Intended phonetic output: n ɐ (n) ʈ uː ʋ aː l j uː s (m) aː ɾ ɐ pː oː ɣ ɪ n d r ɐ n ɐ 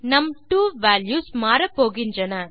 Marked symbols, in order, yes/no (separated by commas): no, yes